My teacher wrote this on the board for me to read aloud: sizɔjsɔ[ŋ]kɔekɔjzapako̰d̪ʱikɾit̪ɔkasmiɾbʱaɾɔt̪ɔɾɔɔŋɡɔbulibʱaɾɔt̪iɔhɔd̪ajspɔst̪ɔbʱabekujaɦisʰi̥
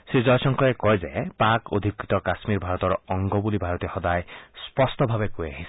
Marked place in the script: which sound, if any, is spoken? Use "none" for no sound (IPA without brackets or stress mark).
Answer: ŋ